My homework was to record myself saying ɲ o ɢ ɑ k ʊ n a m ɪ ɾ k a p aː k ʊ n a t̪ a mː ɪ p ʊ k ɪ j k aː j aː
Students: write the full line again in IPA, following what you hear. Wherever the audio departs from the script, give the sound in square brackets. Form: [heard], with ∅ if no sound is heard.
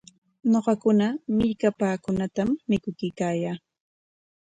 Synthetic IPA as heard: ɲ o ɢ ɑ k ʊ n a m ɪ [ʎ] k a p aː k ʊ n a t̪ a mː ɪ [k] ʊ k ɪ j k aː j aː